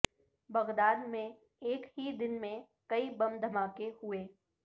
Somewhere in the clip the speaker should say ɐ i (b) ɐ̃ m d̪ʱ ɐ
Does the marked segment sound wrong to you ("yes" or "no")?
no